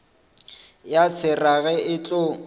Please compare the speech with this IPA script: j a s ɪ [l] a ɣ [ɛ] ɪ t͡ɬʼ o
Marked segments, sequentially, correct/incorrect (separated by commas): incorrect, correct